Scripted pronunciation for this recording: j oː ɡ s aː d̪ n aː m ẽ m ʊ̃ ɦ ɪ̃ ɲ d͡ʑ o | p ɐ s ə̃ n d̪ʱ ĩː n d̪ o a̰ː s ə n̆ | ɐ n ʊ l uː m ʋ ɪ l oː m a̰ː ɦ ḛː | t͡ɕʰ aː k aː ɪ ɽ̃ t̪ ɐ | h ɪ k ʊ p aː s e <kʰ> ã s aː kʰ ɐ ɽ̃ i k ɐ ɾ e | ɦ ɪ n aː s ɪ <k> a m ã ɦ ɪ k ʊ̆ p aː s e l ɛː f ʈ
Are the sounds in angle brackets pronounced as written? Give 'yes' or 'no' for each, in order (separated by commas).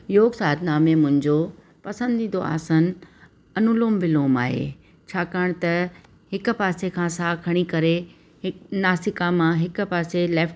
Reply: yes, yes